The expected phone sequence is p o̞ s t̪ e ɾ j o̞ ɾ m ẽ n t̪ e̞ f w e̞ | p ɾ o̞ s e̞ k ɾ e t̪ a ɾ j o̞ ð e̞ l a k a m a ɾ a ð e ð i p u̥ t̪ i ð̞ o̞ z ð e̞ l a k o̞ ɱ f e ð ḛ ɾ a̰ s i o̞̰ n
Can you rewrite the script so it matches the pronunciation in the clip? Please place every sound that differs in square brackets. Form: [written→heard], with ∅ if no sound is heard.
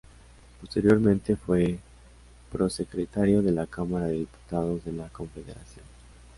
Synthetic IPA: p o̞ s t̪ e ɾ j o̞ ɾ m ẽ n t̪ e̞ f w e̞ | p ɾ o̞ s e̞ k ɾ e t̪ a ɾ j o̞ ð e̞ l a k a m a ɾ a ð e ð i p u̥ t̪ [i→a] ð̞ o̞ z ð e̞ l a k o̞ ɱ f e ð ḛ ɾ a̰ s [i→j] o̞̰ n